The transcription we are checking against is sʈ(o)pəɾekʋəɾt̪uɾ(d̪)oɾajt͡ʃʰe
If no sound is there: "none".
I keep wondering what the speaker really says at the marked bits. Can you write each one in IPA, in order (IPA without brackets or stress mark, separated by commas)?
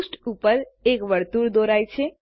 u, d̪